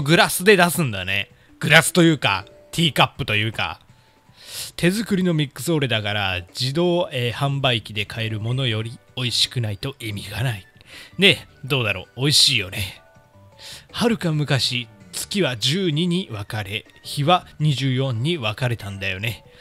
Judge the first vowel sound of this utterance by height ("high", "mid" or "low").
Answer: high